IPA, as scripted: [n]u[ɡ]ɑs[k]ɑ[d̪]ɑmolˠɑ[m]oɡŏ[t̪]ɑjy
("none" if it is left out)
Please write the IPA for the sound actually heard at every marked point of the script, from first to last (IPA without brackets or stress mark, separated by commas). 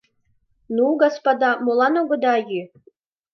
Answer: n, ɡ, p, d̪, n, d̪